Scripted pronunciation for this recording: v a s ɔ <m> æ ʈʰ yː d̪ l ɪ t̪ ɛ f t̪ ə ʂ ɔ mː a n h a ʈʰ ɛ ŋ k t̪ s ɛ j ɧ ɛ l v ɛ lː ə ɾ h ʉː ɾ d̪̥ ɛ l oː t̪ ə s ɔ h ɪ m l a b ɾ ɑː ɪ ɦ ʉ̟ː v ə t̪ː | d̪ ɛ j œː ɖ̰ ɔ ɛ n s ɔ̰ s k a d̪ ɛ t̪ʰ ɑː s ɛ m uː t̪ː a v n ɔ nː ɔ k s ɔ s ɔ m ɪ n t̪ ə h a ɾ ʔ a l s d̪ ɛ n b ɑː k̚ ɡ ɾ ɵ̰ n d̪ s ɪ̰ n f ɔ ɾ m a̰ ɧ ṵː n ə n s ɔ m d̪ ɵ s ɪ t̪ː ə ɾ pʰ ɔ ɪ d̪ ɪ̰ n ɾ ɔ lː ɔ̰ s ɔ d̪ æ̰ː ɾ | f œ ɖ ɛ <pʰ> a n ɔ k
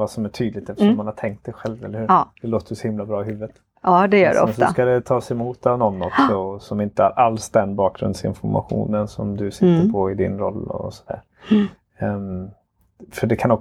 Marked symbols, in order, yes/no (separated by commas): yes, no